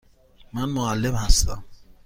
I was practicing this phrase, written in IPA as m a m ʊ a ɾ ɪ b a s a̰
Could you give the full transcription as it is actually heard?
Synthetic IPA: m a n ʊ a l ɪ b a s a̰